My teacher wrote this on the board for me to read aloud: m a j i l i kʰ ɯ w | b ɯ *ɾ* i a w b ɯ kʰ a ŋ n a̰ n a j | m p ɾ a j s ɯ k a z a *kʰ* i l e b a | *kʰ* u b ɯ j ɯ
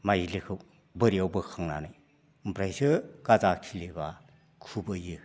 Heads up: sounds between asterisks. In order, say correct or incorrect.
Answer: correct, correct, correct

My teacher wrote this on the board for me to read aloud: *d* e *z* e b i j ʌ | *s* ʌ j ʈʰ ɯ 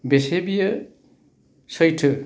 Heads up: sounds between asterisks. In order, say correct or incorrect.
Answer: incorrect, incorrect, correct

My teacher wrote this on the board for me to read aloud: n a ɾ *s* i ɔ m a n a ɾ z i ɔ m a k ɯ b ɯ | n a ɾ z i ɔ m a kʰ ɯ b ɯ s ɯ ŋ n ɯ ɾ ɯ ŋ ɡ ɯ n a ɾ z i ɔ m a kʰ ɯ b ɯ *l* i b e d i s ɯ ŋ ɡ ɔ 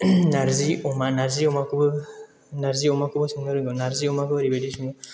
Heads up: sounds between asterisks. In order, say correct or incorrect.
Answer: incorrect, incorrect

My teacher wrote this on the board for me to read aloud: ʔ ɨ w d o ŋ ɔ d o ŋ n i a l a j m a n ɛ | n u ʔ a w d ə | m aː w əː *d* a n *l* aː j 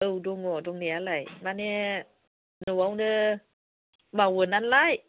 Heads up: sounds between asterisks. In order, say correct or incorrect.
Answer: incorrect, correct

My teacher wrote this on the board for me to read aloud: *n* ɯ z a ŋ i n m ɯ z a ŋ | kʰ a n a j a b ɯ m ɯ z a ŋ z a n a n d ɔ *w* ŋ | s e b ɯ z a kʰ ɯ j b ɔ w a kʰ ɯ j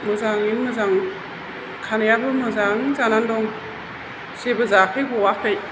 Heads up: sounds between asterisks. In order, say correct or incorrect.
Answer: incorrect, incorrect

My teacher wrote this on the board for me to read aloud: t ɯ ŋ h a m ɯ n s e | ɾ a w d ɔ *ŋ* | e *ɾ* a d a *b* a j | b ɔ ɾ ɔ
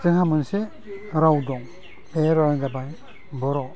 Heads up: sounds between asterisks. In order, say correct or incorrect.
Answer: correct, correct, correct

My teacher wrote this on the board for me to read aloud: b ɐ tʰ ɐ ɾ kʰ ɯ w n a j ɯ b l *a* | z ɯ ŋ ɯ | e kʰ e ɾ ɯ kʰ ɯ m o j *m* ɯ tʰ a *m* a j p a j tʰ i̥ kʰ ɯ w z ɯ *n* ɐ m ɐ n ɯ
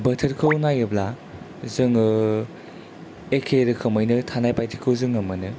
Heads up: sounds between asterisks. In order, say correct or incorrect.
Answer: correct, incorrect, incorrect, incorrect

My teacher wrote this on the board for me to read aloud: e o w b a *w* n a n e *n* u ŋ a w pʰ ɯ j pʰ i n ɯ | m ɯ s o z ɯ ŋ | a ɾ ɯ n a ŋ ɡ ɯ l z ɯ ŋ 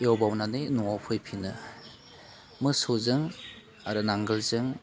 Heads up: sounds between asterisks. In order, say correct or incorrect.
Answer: correct, correct

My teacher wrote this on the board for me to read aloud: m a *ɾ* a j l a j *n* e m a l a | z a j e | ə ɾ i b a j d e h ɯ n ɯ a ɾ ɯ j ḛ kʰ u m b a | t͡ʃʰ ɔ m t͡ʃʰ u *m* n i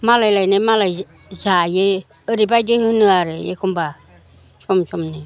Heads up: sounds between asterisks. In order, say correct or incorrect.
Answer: incorrect, correct, correct

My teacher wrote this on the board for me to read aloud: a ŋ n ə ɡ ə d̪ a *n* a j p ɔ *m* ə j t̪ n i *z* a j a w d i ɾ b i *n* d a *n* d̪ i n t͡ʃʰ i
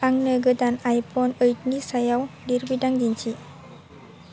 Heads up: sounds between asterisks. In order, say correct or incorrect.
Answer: correct, incorrect, incorrect, incorrect, incorrect

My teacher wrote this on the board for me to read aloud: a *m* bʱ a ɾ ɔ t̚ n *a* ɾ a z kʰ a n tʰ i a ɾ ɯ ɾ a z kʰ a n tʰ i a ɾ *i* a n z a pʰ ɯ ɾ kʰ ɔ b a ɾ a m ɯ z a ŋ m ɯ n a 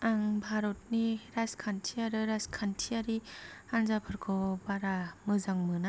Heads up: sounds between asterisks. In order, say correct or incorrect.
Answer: incorrect, incorrect, correct

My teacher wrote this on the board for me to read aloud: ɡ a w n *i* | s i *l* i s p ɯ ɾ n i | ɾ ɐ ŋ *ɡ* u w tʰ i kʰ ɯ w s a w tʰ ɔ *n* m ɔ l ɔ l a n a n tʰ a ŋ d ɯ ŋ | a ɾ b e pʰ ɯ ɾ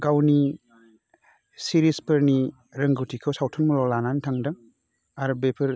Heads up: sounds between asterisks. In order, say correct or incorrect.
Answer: correct, incorrect, correct, correct

